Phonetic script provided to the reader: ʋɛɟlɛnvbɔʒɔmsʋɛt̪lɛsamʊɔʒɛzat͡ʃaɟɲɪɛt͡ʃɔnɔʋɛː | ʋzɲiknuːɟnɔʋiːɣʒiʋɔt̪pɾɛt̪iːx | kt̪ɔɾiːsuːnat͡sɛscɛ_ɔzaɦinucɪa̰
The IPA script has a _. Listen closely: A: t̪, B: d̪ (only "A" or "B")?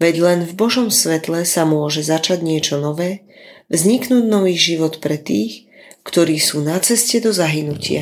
B